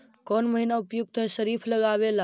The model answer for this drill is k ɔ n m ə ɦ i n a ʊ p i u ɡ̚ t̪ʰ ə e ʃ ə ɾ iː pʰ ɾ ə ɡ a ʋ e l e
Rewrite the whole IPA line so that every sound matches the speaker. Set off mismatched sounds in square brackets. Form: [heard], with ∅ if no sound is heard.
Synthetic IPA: k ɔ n m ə ɦ i n a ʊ p [j] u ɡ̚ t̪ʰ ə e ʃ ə ɾ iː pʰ [l] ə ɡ a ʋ e l [a]